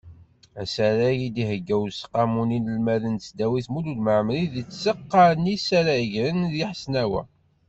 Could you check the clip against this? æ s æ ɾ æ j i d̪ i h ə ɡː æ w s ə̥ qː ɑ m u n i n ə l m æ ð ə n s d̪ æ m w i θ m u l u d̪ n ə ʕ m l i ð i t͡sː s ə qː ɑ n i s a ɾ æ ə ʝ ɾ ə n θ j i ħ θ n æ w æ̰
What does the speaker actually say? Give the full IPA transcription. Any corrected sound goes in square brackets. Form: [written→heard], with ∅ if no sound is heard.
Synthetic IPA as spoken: æ s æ ɾ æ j i d̪ i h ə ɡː æ w s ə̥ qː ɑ m u n i n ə l m æ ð ə n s d̪ æ [m→∅] w i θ m u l u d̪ [n→m] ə ʕ m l i ð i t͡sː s ə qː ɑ n i s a ɾ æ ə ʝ ɾ ə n [θ→ð] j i ħ [θ→s] n æ w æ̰